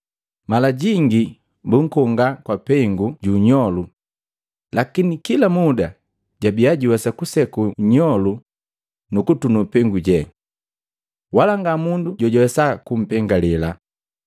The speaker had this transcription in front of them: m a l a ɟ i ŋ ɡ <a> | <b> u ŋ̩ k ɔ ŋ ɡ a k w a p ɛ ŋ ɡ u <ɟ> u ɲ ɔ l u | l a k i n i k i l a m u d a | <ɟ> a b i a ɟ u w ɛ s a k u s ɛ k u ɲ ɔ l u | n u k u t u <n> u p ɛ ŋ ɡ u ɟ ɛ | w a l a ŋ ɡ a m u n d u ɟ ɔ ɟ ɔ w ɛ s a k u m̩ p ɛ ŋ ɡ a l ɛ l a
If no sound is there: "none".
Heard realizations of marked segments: i, b, ɟ, ɟ, n

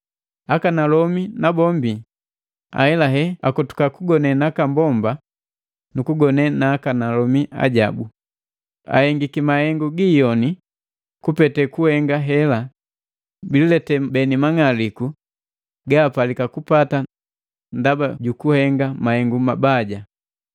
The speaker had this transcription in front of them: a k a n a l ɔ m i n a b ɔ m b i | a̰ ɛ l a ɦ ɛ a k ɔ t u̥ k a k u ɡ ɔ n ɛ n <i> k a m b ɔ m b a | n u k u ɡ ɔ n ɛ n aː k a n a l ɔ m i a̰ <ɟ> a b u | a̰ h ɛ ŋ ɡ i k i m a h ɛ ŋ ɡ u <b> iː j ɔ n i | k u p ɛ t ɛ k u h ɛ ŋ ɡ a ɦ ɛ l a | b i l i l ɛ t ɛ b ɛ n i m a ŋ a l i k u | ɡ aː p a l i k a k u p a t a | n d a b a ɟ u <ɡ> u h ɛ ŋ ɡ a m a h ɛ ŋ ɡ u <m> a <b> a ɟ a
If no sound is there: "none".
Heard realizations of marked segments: a, ɟ, ɡ, k, m, b

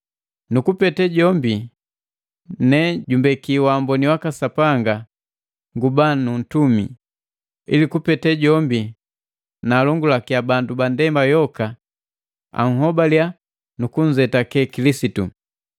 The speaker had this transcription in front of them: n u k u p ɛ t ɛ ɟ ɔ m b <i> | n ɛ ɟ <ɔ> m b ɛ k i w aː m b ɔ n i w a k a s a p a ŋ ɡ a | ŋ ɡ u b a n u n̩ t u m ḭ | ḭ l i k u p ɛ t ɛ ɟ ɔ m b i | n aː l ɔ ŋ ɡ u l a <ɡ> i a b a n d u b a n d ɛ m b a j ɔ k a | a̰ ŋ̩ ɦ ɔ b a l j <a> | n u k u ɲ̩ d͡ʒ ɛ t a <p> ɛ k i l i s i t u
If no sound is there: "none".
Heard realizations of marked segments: i, u, k, a, k

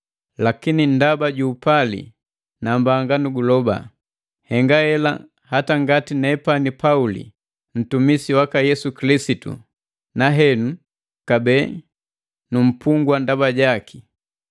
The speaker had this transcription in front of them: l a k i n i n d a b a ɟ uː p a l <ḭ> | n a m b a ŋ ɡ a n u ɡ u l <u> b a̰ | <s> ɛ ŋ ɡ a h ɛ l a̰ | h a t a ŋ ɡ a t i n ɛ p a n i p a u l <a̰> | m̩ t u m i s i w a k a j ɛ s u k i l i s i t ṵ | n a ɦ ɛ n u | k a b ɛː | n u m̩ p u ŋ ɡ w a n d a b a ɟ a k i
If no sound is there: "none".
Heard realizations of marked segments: ḭ, ɔ, h, ḭ

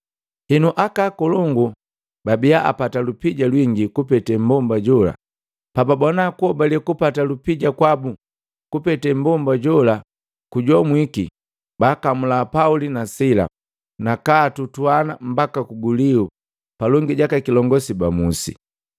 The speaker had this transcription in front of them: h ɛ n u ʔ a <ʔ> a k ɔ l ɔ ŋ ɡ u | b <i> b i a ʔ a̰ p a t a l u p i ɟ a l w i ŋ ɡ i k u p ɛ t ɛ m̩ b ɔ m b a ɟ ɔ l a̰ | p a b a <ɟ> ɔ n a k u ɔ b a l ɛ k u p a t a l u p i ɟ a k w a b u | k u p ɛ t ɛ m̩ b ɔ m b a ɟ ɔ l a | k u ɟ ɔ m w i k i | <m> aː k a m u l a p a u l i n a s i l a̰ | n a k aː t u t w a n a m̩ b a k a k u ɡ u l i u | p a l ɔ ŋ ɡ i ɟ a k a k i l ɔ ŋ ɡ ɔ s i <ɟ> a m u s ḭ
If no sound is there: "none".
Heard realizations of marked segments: k, a, b, b, b

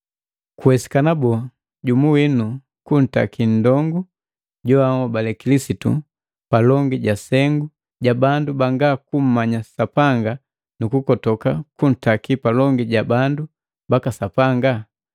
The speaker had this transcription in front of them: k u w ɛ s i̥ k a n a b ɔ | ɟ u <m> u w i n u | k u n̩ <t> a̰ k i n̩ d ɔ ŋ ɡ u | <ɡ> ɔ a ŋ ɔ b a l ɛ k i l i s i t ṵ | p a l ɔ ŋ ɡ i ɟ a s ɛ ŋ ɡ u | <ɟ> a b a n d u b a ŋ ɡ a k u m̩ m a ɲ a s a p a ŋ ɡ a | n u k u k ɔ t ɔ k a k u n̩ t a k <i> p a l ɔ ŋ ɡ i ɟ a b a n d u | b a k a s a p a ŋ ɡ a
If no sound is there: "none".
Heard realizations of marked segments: m, t, ɟ, ɟ, i

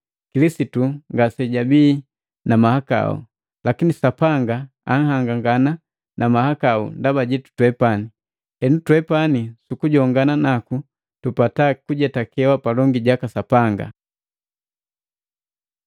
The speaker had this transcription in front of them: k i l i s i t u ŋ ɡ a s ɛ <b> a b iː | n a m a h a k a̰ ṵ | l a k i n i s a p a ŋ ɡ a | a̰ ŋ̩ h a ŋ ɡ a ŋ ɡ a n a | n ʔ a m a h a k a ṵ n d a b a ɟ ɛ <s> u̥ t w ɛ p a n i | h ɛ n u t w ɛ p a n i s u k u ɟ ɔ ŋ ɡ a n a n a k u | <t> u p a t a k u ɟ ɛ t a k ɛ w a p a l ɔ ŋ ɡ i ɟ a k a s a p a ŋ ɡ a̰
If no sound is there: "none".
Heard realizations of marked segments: ɟ, t, t

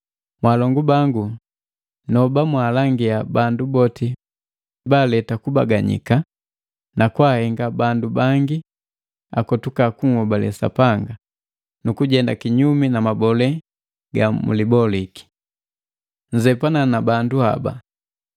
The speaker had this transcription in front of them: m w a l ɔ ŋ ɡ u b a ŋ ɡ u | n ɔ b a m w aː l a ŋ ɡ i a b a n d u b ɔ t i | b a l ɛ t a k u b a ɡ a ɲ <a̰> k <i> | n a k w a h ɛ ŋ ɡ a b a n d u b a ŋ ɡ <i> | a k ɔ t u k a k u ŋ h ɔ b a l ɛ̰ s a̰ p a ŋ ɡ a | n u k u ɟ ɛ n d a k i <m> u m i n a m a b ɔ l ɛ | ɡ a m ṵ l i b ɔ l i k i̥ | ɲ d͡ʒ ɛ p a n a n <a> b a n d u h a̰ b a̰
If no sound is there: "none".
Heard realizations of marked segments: ḭ, a, i, ɲ, a

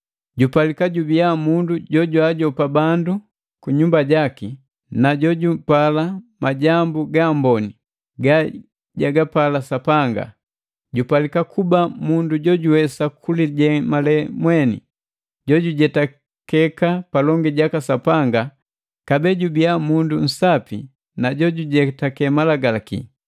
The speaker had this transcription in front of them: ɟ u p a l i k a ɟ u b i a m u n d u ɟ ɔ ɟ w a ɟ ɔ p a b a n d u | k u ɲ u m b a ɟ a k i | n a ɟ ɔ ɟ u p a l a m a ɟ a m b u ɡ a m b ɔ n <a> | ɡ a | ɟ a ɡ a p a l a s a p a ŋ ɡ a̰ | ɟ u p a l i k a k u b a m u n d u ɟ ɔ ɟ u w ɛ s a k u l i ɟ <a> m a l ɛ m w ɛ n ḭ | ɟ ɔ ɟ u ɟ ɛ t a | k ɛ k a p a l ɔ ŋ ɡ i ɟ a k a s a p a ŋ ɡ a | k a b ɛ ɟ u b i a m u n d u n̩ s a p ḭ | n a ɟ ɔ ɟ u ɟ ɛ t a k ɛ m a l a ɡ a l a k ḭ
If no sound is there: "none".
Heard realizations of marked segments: i, ɛ

